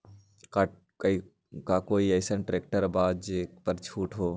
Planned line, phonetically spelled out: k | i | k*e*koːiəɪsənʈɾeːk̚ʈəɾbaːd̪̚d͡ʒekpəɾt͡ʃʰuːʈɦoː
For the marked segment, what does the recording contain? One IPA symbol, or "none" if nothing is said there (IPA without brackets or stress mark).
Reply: a